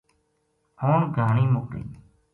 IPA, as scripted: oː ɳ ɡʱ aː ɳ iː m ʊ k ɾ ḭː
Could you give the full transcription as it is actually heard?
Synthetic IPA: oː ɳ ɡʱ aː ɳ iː m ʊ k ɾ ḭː